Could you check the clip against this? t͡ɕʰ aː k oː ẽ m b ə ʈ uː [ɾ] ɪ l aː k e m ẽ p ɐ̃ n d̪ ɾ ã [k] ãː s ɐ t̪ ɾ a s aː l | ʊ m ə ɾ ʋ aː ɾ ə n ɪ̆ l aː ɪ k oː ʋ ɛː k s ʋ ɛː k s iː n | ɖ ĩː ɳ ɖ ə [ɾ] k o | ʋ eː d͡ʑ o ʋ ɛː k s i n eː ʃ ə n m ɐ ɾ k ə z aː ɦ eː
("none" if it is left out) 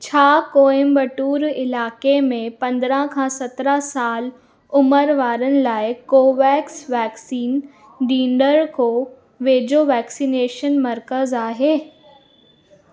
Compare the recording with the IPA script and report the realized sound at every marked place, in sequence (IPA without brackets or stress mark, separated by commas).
ɾ, kʰ, ɾ